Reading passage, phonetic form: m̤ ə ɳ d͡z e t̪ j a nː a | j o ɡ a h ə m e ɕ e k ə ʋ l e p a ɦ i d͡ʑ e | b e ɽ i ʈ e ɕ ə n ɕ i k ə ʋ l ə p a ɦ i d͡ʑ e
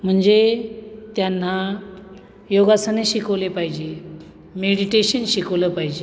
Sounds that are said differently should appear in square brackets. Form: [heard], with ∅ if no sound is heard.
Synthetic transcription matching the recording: m̤ ə ɳ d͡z e t̪ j a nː a | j o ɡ a [s] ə [n] e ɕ [i] k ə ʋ l e p a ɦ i d͡ʑ e | [m] e ɽ i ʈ e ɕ ə n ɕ i k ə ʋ l ə p a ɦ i d͡ʑ e